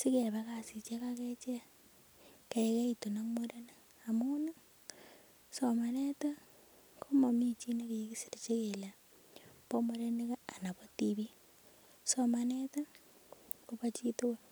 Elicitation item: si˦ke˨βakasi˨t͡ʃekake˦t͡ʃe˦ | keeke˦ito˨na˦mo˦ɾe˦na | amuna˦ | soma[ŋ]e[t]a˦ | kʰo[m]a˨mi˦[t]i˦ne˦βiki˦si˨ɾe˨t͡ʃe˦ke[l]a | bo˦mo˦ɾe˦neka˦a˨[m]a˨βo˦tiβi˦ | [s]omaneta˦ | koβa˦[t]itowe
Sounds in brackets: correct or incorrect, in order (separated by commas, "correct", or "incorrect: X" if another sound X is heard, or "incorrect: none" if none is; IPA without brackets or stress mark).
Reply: incorrect: n, correct, correct, incorrect: t͡ʃ, correct, incorrect: n, correct, incorrect: t͡ʃ